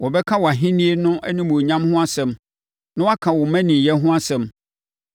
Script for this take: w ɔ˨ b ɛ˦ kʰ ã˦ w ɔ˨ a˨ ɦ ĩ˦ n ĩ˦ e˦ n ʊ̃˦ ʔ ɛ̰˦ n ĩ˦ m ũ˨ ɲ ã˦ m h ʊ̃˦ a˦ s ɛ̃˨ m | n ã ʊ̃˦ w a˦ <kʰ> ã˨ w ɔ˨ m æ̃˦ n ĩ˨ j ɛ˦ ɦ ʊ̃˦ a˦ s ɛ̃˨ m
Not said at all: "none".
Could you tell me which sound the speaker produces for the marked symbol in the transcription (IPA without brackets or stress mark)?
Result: kʰ